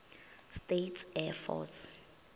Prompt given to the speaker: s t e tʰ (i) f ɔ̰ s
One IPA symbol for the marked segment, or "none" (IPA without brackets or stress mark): ɛ